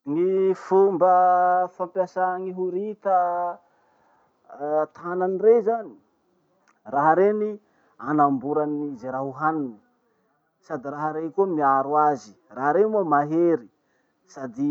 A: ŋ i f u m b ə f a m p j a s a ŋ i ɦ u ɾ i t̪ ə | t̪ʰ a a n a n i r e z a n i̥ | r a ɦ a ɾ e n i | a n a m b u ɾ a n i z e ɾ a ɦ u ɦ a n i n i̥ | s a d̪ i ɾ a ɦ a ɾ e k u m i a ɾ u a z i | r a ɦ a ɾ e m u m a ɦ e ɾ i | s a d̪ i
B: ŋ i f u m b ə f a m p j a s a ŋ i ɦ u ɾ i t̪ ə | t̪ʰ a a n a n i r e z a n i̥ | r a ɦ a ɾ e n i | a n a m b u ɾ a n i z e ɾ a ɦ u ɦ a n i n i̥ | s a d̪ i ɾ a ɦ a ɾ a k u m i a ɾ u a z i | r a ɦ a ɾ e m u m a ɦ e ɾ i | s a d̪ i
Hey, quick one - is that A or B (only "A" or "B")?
A